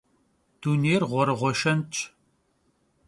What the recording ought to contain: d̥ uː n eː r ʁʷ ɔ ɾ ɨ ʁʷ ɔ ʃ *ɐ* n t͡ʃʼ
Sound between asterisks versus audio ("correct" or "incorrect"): correct